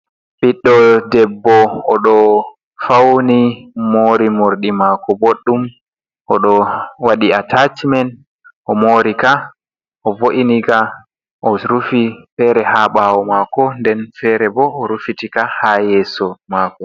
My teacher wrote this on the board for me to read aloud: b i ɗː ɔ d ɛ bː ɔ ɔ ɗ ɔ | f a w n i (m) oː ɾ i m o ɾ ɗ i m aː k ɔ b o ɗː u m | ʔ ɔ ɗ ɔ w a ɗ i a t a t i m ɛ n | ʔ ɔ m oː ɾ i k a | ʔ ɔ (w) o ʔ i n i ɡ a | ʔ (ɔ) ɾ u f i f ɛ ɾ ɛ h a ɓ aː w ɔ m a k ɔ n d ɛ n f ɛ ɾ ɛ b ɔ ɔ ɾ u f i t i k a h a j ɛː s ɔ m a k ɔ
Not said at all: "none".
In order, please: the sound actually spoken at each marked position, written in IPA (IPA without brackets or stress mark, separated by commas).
m, v, ɔ